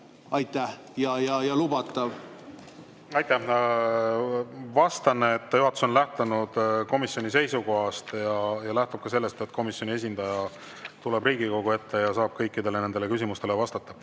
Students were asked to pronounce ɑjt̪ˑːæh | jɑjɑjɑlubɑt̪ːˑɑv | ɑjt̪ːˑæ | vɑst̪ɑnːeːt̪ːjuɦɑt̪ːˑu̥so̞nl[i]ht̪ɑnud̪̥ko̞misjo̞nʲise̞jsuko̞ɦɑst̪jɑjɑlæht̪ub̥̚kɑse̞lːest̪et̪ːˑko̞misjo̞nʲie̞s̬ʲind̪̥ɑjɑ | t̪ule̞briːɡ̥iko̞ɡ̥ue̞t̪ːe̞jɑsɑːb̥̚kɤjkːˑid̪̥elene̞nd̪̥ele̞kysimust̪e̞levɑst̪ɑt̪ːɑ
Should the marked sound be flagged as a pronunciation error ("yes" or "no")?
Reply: yes